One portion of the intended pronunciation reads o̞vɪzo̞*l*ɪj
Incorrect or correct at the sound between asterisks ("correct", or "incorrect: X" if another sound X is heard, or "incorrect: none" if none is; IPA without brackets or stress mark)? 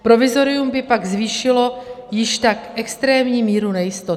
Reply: incorrect: ɾ